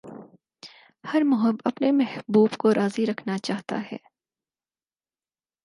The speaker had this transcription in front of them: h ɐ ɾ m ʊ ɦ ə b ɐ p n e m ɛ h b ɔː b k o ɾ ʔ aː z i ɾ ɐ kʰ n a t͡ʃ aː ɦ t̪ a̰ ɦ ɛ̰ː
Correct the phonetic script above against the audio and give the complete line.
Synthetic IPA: h ɐ ɾ m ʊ ɦ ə b ɐ p n e m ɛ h b uː b k o ɾ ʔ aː z i ɾ ɐ kʰ n a t͡ʃ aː ɦ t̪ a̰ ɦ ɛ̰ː